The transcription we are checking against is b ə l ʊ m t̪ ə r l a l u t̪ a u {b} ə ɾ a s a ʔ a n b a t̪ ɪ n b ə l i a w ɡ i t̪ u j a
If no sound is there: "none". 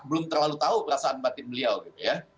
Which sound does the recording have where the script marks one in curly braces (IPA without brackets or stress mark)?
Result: p